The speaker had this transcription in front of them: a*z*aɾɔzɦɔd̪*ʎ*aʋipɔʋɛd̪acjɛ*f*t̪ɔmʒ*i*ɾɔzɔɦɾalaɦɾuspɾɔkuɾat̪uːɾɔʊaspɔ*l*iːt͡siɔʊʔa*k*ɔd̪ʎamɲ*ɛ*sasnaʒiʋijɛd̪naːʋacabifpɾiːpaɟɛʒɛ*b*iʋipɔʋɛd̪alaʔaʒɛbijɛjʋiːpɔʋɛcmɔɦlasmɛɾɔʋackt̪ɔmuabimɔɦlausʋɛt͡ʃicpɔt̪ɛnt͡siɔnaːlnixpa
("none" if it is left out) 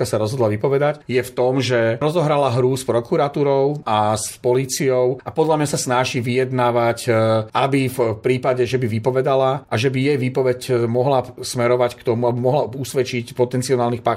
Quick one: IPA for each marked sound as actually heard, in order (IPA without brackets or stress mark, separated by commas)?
s, l, f, ɛ, l, p, a, b